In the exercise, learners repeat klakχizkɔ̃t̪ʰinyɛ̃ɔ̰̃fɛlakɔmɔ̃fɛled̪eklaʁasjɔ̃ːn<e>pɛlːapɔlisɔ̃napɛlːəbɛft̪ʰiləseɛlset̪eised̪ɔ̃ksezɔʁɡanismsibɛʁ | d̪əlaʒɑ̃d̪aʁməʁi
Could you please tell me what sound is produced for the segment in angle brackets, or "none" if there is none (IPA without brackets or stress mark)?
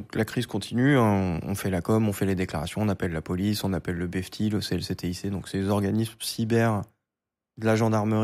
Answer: a